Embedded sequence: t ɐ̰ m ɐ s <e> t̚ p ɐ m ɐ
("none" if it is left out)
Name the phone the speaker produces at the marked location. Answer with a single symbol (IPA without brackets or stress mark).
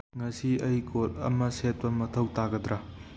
e